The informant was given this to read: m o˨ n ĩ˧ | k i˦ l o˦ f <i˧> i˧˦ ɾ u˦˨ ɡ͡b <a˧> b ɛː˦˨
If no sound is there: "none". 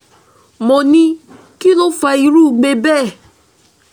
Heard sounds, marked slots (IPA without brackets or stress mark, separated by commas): a˧, e˧